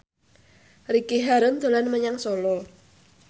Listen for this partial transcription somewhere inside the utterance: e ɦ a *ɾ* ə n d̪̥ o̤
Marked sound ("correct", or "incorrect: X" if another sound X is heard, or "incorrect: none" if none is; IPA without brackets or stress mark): correct